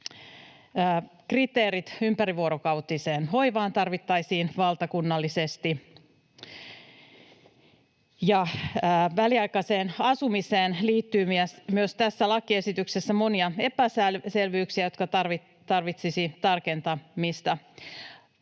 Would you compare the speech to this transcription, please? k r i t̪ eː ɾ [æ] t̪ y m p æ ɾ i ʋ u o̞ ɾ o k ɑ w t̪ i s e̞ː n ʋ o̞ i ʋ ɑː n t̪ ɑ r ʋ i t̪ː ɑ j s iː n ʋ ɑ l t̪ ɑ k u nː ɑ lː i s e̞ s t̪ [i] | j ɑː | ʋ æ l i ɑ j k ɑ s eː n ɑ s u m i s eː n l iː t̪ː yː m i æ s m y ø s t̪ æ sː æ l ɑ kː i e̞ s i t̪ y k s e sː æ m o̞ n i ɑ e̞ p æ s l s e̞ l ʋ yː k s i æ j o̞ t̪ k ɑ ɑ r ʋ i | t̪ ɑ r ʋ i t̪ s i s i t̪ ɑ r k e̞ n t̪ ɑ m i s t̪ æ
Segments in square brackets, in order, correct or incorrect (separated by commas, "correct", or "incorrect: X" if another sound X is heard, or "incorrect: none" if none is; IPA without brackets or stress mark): incorrect: i, correct